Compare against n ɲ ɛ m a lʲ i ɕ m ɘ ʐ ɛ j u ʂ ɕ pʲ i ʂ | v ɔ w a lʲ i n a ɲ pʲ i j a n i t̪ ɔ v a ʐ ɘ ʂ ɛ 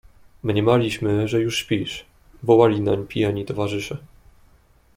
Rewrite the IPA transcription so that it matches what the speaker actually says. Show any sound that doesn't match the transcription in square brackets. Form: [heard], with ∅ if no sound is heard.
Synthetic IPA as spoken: [m] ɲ ɛ m a lʲ i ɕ m ɘ ʐ ɛ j u ʂ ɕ pʲ i ʂ | v ɔ w a lʲ i n a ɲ pʲ i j a [ɲ] i t̪ ɔ v a ʐ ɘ ʂ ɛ